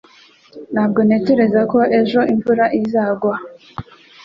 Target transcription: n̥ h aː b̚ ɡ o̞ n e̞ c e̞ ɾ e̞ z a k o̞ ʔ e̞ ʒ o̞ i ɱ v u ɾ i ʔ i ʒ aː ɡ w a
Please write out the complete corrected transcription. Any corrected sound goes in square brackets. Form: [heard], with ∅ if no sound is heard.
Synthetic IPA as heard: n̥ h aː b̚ ɡ o̞ n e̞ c e̞ ɾ e̞ z a k o̞ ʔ e̞ ʒ o̞ i ɱ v u ɾ [a] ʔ i [z] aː ɡ w a

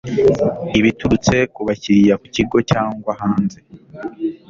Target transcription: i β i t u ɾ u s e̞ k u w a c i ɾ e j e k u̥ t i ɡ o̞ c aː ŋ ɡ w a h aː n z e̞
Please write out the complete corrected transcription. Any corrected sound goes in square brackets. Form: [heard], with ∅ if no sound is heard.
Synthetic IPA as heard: i β i t u ɾ u [t͡s] e̞ k u [β] a c i ɾ [i] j [a] k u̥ [c] i ɡ o̞ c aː ŋ ɡ w a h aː n z e̞

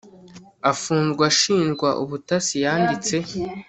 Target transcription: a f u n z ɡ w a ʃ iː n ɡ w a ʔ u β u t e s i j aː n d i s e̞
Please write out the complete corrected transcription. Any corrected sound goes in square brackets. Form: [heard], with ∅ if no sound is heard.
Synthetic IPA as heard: a f [uː] n z ɡ w a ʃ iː n ɡ w a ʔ u β u t [a] s i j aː n d i [t͡s] e̞

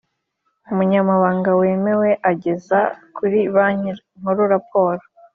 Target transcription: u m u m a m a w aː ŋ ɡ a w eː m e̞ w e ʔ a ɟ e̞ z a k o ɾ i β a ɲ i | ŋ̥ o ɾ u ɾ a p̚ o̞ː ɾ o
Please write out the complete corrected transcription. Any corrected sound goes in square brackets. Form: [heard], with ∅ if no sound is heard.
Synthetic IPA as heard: u m u [ɲ] a m a [β] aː ŋ ɡ a w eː m e̞ w e ʔ a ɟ e̞ z a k [u] ɾ i β a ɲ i | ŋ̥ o ɾ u ɾ a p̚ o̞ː ɾ o

